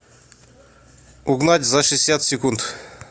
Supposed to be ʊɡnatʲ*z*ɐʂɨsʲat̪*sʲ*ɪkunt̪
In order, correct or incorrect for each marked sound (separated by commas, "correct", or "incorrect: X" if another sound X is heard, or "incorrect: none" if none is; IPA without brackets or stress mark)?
correct, correct